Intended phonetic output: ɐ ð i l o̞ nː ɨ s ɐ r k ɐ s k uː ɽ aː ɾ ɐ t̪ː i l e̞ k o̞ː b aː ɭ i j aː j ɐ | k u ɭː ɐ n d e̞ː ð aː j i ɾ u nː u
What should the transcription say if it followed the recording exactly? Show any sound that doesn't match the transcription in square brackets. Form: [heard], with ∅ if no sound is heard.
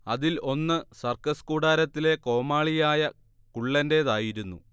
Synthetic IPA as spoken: ɐ ð i l o̞ nː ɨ s ɐ r k ɐ s k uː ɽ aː ɾ ɐ t̪ː i l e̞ k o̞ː [m] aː ɭ i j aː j ɐ | k u ɭː ɐ n d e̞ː ð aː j i ɾ u nː u